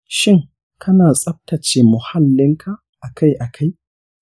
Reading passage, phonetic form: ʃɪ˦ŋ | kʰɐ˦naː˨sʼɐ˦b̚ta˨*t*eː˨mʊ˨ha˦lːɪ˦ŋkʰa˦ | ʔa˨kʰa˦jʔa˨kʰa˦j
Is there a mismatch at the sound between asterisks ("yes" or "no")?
yes